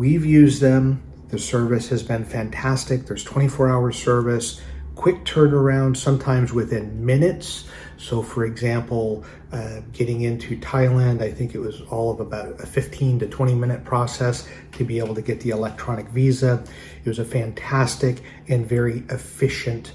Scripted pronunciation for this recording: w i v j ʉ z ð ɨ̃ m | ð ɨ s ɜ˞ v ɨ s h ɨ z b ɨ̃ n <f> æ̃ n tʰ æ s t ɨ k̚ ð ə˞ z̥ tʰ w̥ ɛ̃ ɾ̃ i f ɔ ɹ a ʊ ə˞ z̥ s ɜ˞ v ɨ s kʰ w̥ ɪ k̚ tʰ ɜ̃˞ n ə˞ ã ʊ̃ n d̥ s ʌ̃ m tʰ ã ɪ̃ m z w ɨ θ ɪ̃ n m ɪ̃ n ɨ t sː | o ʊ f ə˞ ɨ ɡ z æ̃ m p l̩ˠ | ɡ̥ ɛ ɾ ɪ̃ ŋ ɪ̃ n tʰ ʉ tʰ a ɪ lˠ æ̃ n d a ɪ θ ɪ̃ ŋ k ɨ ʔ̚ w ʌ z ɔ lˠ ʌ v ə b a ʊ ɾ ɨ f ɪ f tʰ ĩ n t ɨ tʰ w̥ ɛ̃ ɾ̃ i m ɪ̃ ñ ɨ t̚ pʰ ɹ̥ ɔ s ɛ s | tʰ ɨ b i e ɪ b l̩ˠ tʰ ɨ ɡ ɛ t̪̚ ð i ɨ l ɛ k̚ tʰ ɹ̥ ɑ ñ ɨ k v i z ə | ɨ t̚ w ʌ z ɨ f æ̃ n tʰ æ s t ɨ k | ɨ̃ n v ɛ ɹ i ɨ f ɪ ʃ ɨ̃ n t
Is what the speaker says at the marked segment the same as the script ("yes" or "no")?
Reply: yes